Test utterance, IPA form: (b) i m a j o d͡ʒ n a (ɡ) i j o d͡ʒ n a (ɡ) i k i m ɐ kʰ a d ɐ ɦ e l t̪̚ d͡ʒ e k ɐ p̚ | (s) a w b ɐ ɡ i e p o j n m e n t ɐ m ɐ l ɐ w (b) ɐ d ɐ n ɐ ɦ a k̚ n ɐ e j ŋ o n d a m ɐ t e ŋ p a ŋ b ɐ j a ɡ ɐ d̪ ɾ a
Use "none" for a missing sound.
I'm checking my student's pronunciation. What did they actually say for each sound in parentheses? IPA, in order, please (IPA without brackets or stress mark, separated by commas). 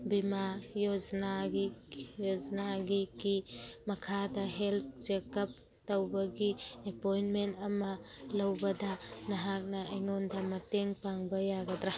b, ɡ, ɡ, t, b